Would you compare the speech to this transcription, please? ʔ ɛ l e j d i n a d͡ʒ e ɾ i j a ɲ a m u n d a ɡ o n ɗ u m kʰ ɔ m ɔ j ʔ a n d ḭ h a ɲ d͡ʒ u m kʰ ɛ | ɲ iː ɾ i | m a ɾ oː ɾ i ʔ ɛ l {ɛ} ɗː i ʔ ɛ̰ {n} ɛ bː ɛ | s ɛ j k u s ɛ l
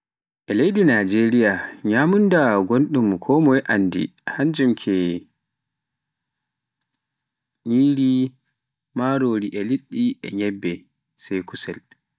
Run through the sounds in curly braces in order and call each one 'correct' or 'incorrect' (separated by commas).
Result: incorrect, incorrect